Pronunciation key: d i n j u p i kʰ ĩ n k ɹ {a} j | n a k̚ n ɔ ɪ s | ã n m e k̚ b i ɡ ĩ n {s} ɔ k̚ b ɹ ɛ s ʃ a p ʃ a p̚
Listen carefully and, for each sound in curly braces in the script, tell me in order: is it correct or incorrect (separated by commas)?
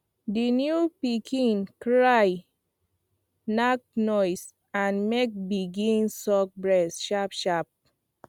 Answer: correct, correct